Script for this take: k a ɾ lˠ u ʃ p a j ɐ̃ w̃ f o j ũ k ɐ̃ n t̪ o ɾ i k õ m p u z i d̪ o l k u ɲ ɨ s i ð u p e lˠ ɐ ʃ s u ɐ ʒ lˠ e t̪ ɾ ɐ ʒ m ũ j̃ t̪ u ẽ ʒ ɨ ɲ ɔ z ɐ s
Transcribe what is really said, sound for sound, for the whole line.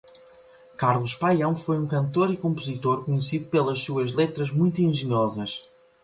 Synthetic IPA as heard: k a ɾ lˠ u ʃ p a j ɐ̃ w̃ f o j ũ k ɐ̃ n t̪ o ɾ i k õ m p u z i t̪ o ɾ k u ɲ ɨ s i ð u p e lˠ ɐ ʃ s u ɐ ʒ lˠ e t̪ ɾ ɐ ʒ m ũ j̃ t̪ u ẽ ʒ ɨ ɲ ɔ z ɐ ʃ

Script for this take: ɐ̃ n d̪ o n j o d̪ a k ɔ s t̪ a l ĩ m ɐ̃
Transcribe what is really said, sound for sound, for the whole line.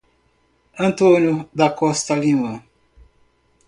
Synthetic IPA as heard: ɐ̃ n t̪ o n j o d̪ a k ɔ s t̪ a l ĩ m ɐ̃

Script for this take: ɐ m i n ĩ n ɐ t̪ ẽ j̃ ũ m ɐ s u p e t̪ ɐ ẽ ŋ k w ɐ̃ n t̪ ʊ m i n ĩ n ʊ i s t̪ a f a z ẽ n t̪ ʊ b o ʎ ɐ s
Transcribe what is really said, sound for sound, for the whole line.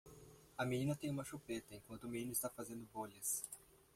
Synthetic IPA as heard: ɐ m i n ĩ n ɐ t̪ ẽ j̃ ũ m ɐ ʃ u p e t̪ ɐ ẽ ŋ k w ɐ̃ n t̪ ʊ m i n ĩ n ʊ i s t̪ a f a z ẽ n d̪ ʊ b o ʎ ɐ s

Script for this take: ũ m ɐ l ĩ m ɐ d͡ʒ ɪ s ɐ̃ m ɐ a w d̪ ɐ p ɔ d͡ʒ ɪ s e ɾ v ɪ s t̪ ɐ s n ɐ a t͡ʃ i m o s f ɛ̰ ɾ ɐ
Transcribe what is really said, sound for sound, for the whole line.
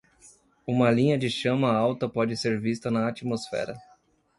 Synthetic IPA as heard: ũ m ɐ l ĩ ɲ ɐ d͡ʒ ɪ ʃ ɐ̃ m ɐ a w t̪ ɐ p ɔ d͡ʒ ɪ s e ɾ v i s t̪ ɐ n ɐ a t͡ʃ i m o s f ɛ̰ ɾ ɐ

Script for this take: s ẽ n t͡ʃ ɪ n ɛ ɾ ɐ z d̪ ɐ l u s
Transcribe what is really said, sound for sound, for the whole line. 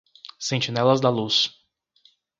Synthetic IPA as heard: s ẽ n t͡ʃ i n ɛ l ɐ z d̪ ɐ l u s

